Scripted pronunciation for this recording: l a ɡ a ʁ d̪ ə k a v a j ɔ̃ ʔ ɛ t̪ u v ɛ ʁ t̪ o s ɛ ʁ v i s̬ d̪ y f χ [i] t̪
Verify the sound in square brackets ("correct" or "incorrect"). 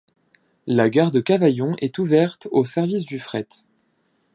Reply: incorrect